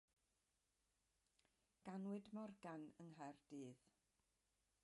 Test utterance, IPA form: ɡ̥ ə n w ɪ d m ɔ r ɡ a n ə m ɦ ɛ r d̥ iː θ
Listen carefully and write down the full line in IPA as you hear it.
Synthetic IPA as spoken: ɡ̥ a n w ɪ d m ɔ r ɡ a n ə ŋ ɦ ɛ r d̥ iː ð